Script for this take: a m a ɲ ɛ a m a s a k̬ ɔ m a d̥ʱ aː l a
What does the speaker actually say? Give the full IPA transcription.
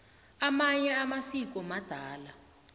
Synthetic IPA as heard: a m a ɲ ɛ a m a s i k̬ ɔ m a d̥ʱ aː l a